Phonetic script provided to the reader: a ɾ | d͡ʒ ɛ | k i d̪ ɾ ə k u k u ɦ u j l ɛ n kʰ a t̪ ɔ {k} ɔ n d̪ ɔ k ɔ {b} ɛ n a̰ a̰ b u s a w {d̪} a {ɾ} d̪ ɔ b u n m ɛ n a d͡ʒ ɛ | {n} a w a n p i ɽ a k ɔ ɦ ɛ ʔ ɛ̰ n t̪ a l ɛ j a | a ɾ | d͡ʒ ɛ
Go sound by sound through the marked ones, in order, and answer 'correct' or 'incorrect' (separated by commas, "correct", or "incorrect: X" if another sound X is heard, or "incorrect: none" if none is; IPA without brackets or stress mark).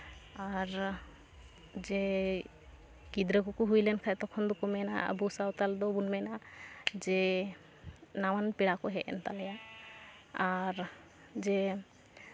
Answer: incorrect: kʰ, incorrect: m, incorrect: t̪, incorrect: l, correct